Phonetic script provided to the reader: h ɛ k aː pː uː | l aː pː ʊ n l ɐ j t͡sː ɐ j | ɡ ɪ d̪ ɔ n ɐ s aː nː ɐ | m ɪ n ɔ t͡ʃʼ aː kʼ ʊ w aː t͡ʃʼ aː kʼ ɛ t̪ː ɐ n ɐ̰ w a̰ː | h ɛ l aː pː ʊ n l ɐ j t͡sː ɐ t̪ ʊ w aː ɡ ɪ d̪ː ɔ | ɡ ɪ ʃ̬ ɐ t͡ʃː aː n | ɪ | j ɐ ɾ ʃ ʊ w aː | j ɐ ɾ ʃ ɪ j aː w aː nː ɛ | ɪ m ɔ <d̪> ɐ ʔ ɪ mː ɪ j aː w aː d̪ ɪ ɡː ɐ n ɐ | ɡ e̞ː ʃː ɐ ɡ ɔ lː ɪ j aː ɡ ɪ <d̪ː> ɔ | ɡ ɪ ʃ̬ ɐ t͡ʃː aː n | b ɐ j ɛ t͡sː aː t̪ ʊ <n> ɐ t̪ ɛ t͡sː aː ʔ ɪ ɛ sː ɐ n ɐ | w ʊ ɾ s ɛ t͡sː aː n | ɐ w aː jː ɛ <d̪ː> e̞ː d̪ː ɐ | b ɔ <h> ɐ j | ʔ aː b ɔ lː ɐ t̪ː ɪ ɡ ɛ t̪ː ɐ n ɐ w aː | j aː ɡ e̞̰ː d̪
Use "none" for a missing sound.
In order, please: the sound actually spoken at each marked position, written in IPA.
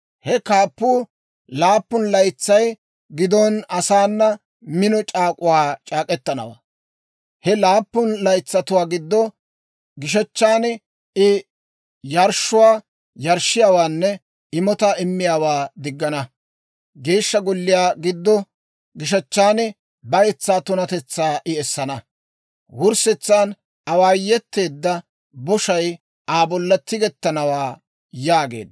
t̪, d̪ː, n, t̪ː, ʃ

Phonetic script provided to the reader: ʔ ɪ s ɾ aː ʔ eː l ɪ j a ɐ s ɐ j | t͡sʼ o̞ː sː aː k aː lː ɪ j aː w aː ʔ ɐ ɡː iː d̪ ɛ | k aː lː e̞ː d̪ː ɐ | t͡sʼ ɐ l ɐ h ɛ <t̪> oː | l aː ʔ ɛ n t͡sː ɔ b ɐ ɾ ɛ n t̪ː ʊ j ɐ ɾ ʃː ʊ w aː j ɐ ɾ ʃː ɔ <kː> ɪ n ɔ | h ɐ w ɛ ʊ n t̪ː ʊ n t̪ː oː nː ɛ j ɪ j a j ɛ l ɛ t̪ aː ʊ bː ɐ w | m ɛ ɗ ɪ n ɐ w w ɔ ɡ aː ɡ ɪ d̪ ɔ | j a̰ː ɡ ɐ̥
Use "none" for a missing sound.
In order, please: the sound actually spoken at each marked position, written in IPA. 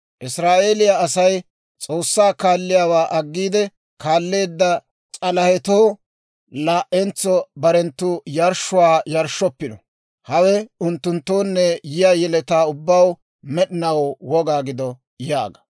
t̪, pː

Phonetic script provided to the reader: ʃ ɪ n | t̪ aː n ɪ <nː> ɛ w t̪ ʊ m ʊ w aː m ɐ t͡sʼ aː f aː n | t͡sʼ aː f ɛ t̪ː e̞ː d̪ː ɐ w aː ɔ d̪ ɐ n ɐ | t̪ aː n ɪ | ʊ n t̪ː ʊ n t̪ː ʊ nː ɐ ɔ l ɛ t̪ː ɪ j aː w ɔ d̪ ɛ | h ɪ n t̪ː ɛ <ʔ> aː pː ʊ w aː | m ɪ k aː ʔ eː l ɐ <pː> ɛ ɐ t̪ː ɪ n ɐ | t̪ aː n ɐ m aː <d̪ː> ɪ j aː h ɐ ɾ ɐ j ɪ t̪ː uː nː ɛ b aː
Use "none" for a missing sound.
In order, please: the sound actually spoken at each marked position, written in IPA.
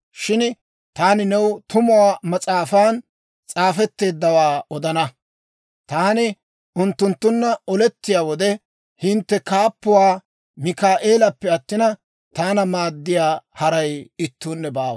n, k, pː, d̪ː

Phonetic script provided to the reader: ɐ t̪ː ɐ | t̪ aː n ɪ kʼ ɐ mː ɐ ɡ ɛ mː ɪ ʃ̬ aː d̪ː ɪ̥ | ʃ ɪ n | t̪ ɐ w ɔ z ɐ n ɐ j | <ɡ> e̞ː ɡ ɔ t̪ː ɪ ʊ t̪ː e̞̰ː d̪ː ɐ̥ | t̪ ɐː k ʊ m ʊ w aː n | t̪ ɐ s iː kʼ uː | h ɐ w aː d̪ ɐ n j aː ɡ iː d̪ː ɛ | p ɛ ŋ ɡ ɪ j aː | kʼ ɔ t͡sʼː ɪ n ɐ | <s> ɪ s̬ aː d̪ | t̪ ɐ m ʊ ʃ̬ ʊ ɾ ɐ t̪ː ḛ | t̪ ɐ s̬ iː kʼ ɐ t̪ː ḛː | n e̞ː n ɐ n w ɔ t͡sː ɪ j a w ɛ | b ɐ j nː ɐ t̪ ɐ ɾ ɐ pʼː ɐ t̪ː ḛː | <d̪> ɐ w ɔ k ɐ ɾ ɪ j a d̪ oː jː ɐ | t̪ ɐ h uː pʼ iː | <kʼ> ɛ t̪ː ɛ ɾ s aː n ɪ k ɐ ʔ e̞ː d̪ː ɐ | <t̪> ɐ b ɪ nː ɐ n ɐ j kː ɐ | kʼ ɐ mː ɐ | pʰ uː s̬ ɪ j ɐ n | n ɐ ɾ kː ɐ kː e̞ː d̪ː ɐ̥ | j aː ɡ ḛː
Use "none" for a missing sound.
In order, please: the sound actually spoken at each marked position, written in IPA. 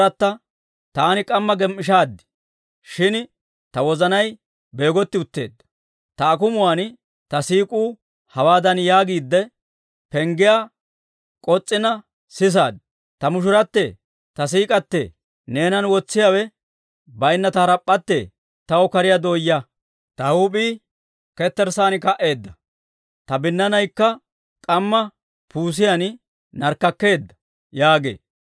b, s, t̪, k, t̪

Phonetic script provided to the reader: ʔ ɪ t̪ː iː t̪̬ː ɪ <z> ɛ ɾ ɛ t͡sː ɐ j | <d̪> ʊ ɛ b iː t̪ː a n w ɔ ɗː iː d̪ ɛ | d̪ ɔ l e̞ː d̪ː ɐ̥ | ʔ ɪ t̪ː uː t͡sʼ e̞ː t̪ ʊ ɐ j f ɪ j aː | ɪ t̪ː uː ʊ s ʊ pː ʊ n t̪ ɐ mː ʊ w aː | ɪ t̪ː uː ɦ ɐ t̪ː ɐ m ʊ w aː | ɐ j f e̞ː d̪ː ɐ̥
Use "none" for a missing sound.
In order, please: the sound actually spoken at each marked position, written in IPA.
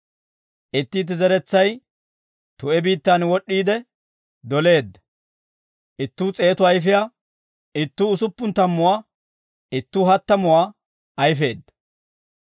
z, t̪

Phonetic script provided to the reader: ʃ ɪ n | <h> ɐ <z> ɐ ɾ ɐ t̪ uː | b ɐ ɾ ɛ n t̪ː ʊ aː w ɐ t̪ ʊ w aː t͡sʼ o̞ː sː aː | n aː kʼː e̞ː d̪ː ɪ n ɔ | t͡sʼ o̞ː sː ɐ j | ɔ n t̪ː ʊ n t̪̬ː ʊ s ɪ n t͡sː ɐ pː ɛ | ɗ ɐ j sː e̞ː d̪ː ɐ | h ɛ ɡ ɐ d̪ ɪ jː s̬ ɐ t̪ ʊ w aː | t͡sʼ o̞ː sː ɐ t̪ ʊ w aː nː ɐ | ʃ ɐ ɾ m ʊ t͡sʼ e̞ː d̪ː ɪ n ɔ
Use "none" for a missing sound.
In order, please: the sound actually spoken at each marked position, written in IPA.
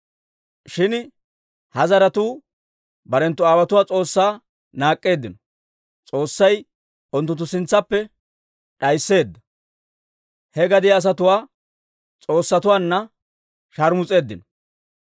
h, z

